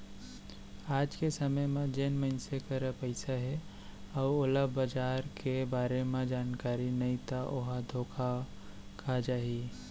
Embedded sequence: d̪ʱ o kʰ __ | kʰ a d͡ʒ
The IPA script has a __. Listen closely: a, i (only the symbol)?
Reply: a